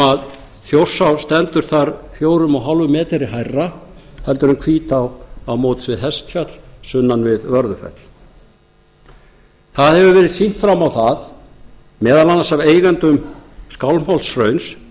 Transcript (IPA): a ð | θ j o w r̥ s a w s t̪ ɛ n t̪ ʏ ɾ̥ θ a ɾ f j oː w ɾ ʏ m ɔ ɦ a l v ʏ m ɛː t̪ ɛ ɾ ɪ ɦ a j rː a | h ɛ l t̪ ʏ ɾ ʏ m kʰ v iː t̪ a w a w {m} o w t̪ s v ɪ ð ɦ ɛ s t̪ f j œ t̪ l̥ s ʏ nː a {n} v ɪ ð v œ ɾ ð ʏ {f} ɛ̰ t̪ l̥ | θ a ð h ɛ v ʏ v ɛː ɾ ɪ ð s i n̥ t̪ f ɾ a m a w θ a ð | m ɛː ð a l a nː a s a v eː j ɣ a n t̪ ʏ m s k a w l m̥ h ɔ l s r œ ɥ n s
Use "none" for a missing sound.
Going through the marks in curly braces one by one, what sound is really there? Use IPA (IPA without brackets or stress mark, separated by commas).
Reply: m, n, f